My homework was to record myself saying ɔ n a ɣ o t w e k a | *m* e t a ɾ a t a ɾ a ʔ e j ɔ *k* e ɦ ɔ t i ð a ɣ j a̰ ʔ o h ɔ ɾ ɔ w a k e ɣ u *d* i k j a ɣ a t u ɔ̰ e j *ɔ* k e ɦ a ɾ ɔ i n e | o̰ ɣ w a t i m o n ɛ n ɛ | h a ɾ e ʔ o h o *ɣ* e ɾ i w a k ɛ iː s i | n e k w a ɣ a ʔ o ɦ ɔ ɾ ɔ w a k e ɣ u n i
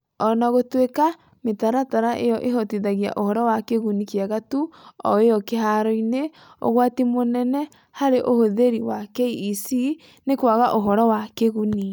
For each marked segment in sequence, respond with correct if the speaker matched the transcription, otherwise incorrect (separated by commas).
correct, incorrect, incorrect, correct, incorrect